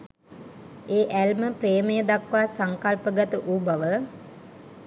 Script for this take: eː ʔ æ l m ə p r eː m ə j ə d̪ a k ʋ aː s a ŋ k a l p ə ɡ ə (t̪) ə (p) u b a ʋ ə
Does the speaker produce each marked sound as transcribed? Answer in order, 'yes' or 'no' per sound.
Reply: yes, no

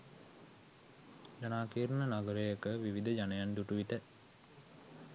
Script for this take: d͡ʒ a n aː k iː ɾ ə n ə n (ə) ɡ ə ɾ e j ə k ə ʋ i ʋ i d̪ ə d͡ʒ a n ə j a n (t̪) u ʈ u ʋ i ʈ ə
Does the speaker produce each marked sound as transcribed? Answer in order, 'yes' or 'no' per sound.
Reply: no, no

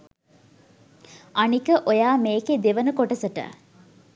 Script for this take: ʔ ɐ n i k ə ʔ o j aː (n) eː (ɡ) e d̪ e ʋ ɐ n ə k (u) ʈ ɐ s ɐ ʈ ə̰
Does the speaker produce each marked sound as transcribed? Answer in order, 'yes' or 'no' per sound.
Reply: no, no, no

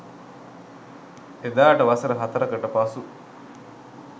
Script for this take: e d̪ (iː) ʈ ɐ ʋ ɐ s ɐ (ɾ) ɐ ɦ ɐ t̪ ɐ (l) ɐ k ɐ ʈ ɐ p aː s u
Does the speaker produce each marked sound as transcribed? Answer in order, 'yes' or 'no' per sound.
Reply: no, yes, no

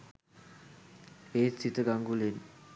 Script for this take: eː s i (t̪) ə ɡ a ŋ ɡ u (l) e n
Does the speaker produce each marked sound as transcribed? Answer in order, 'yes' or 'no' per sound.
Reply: yes, yes

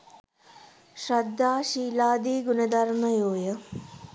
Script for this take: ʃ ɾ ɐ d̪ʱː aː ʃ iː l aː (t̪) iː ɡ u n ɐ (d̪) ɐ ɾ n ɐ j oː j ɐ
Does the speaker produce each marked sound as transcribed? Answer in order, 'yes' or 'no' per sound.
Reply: no, yes

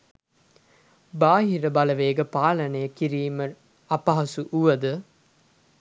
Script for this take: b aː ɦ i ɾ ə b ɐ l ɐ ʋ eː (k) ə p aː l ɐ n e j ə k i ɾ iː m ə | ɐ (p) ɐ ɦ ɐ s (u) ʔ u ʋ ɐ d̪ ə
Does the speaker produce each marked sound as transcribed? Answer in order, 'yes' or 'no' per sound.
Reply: no, yes, yes

